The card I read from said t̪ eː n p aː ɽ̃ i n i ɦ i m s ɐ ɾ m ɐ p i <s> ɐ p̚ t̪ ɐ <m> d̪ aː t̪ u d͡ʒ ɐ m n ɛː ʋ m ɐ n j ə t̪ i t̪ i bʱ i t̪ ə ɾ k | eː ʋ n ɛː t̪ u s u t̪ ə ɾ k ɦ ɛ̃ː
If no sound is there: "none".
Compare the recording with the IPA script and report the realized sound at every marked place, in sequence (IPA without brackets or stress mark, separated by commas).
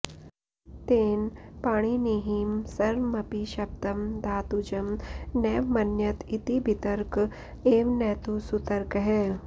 ʃ, m